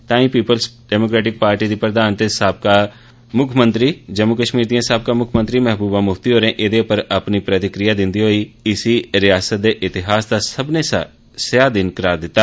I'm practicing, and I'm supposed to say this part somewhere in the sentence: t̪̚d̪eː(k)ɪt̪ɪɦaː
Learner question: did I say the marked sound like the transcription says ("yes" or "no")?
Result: no